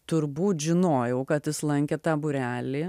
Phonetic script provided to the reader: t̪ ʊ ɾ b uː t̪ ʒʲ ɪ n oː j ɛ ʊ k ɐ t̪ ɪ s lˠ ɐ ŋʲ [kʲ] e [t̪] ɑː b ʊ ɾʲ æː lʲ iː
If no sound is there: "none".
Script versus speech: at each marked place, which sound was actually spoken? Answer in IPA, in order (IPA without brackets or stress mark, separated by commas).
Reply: kʲ, t̪